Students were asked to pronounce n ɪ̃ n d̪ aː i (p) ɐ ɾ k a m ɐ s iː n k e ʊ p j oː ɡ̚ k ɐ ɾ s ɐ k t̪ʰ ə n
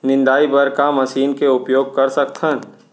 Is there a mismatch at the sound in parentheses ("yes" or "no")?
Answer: yes